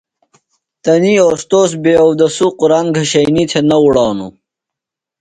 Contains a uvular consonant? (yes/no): yes